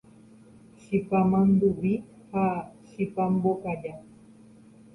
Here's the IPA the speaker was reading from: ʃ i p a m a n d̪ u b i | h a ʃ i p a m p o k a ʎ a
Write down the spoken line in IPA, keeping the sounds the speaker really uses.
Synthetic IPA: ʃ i p a m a n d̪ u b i | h a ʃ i p a m b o k a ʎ a